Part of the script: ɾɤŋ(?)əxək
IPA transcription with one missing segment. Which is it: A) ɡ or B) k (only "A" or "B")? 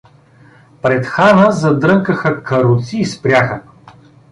B